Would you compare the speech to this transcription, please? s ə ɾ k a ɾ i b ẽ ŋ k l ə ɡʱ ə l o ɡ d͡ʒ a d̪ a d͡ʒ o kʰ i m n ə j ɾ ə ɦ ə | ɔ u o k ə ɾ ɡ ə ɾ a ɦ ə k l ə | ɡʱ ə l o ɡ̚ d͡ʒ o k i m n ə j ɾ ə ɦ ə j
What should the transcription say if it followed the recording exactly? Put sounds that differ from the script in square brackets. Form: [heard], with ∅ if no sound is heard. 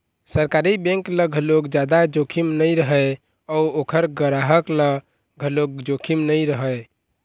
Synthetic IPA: s ə ɾ k a ɾ i b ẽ ŋ k l ə ɡʱ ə l o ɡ d͡ʒ a d̪ a d͡ʒ o kʰ i m n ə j ɾ ə ɦ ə | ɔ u o [kʰ] ə ɾ ɡ ə ɾ a ɦ ə k l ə | ɡʱ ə l o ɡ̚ d͡ʒ o [kʰ] i m n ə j ɾ ə ɦ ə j